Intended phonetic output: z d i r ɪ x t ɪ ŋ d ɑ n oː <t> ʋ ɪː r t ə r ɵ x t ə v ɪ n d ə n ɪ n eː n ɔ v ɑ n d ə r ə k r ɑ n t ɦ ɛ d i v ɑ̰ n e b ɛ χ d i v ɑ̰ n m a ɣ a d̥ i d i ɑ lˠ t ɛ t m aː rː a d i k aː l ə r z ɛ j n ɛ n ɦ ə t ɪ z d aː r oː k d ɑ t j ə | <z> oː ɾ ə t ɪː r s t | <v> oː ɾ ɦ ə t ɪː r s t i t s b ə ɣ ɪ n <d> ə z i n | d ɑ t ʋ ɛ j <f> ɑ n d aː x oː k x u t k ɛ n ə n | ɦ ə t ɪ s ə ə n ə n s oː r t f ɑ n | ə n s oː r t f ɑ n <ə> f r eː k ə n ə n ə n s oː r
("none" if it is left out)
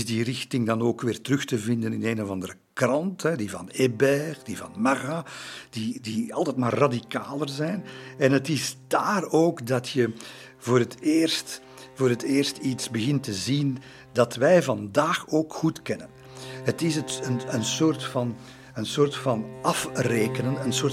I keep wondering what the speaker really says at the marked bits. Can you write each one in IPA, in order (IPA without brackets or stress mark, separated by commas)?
k, v, v, t, v, ɑ